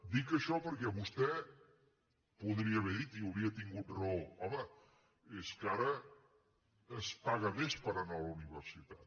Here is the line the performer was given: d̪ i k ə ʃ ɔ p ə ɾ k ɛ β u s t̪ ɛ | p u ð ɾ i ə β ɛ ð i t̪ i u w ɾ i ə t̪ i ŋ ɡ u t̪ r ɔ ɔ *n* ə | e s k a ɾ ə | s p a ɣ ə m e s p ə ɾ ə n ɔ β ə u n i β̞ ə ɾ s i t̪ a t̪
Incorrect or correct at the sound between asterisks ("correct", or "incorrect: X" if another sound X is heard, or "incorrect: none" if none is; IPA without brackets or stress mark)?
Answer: incorrect: m